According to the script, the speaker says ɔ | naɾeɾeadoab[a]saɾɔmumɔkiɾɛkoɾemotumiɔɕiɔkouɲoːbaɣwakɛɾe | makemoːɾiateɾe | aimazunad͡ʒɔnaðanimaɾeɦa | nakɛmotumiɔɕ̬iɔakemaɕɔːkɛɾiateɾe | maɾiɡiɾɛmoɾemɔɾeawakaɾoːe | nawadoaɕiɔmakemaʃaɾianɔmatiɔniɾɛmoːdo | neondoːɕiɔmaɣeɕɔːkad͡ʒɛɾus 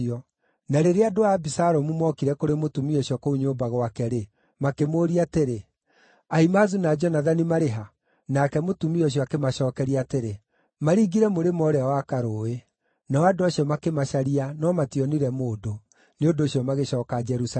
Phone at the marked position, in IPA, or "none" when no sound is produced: i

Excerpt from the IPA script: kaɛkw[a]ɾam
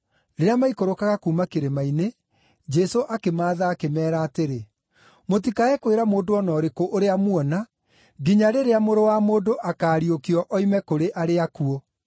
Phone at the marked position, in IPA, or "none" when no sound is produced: e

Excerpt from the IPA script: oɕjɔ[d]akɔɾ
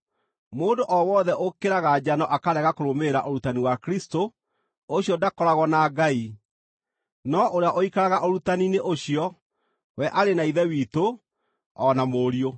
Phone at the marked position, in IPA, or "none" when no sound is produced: d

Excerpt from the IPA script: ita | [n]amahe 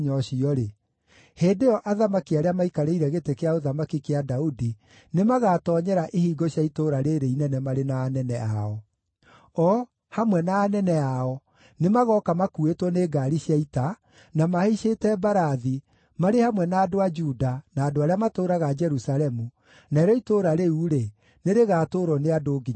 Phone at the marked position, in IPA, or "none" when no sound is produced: n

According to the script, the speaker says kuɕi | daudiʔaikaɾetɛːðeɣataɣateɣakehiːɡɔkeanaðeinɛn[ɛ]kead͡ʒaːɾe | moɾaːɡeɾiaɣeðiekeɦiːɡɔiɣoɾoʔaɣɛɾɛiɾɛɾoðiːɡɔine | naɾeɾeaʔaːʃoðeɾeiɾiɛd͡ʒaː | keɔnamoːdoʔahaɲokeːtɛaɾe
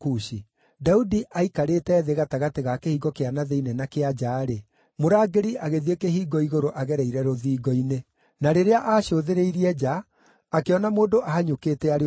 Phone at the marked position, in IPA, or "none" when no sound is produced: a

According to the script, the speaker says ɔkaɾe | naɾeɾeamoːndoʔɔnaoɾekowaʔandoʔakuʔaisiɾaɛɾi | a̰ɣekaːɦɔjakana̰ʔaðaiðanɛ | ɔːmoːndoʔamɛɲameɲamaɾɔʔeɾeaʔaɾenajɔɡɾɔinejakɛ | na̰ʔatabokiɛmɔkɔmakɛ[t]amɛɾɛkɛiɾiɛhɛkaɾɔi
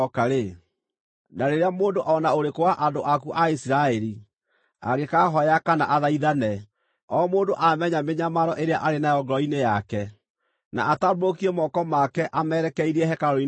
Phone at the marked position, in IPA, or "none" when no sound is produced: ʔ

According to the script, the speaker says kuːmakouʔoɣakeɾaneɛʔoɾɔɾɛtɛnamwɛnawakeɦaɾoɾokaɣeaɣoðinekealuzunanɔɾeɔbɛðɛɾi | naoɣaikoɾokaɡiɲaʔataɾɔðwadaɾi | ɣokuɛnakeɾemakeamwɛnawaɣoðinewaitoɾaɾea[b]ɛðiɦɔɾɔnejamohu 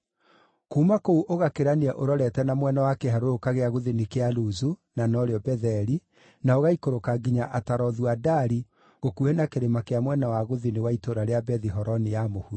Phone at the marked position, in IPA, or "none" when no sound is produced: b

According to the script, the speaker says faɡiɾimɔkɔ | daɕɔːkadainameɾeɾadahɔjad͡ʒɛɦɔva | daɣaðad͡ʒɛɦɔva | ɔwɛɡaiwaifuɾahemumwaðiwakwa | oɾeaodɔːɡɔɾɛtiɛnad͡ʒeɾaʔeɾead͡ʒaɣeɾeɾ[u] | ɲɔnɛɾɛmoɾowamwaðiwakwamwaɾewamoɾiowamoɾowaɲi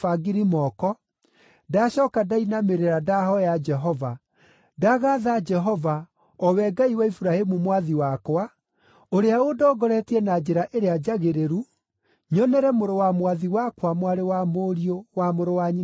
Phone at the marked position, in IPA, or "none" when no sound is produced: u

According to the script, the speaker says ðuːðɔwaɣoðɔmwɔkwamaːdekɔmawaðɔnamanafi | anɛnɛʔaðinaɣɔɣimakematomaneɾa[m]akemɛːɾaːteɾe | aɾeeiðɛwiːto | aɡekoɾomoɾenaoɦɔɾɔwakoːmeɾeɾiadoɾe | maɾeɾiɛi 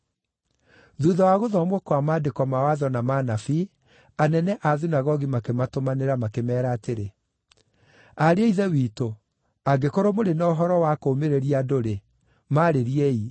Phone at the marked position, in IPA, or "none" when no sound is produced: m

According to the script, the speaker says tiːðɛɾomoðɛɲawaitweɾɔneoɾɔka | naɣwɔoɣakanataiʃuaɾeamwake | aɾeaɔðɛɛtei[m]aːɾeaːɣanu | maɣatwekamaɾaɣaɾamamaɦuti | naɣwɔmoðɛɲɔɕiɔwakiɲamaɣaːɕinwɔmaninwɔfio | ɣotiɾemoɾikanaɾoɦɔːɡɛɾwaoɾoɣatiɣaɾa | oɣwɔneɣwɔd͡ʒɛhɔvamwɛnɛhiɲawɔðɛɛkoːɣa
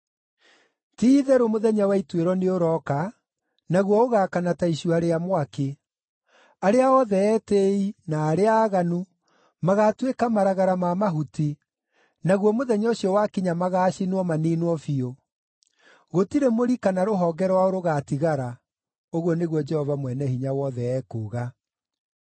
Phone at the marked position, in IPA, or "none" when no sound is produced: n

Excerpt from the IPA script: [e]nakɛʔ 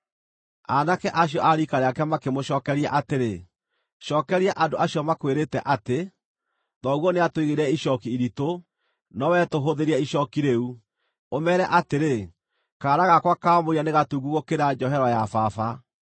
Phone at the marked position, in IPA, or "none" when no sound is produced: a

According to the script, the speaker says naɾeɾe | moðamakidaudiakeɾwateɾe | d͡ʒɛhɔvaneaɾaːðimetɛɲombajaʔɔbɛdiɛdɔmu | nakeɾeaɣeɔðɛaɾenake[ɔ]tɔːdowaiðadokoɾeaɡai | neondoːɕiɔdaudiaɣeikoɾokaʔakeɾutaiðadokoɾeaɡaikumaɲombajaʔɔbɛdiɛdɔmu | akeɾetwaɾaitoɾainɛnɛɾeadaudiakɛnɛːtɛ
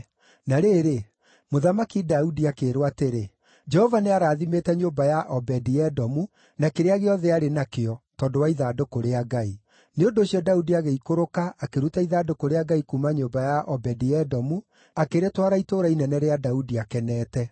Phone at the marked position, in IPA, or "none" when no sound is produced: ɔ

